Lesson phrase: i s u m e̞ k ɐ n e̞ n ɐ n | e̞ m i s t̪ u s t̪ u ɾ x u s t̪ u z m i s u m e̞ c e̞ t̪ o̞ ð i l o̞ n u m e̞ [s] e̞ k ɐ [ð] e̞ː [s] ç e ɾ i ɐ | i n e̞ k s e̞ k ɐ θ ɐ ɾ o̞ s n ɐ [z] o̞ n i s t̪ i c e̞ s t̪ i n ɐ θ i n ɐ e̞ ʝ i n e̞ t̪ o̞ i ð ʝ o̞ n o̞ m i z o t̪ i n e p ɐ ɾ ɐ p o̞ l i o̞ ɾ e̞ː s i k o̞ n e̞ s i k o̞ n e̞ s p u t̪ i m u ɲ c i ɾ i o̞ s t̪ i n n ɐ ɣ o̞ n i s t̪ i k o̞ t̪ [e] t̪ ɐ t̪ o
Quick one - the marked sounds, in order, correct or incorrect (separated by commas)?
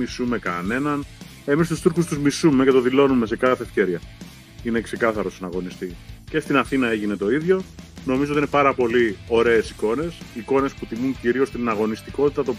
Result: correct, incorrect, incorrect, incorrect, incorrect